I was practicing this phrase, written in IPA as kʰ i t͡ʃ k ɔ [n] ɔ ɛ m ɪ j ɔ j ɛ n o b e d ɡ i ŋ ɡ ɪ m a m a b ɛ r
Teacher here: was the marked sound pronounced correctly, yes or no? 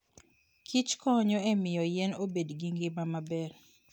no